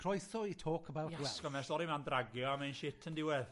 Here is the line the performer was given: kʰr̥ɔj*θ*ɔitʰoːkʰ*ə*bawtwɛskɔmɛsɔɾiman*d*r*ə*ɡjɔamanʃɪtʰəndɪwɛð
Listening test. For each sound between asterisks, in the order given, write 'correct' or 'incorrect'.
correct, correct, correct, incorrect

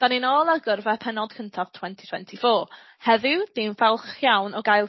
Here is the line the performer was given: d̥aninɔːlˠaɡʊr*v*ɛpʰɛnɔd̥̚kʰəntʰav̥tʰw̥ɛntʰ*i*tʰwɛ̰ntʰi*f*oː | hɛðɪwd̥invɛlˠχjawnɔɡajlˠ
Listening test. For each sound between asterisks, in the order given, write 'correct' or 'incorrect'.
correct, correct, correct

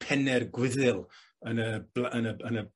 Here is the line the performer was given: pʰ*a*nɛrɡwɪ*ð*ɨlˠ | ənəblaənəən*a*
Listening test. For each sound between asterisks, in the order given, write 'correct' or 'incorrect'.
incorrect, correct, incorrect

